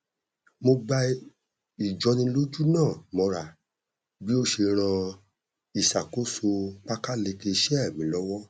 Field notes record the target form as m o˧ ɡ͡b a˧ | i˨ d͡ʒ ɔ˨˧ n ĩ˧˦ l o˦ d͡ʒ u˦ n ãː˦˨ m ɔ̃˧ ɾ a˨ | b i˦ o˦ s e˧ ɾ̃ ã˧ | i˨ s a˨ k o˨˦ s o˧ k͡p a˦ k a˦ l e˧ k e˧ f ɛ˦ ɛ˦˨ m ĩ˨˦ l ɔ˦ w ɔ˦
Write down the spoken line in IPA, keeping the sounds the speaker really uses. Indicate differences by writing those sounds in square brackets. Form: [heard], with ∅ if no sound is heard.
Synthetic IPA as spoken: m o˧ ɡ͡b a˧ | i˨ d͡ʒ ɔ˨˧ n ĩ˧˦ l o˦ d͡ʒ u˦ n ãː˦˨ m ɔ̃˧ ɾ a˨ | b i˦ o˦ [ʃ] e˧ ɾ̃ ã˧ | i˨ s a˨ k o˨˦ s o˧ k͡p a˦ k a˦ l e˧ k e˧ [ʃ] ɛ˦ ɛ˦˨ m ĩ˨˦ l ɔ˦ w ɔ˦